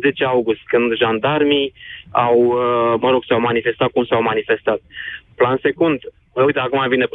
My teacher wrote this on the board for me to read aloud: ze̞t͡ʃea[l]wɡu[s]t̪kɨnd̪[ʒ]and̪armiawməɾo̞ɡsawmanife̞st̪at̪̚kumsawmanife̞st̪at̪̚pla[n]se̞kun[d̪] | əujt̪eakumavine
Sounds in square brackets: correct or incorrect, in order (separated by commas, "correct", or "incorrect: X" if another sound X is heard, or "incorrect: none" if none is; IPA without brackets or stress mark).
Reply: incorrect: none, correct, correct, correct, correct